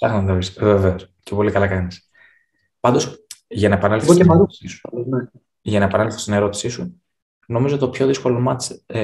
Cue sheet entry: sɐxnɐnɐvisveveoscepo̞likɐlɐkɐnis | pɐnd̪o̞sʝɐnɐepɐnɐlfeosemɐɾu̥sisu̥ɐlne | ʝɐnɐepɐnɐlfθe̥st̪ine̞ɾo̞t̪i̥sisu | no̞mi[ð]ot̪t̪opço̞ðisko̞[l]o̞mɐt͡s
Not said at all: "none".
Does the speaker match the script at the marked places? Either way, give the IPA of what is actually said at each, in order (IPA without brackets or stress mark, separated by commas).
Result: z, l